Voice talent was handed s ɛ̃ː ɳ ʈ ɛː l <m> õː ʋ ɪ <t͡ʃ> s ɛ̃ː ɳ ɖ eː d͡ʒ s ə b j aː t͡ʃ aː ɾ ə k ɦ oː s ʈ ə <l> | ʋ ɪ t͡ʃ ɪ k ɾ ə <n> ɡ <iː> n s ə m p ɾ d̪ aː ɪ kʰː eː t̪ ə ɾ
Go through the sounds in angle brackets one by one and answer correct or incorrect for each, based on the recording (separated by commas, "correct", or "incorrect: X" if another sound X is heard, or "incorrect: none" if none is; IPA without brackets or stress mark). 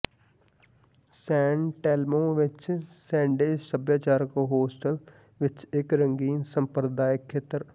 correct, correct, correct, incorrect: ŋ, correct